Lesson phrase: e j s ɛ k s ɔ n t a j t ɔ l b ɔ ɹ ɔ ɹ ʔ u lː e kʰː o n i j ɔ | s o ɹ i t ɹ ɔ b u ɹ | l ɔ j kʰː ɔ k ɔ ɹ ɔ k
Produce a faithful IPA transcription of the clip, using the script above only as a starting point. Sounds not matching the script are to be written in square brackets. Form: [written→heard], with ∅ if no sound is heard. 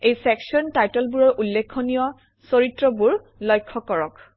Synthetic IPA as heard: e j s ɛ k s ɔ n t a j t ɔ l b [ɔ→u] ɹ ɔ ɹ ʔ u lː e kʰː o n i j ɔ | s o ɹ i t ɹ ɔ b u ɹ | l ɔ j kʰː ɔ k ɔ ɹ ɔ k